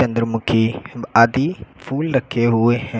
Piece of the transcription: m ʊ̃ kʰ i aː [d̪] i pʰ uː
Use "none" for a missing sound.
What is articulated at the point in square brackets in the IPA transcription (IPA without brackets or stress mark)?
d̪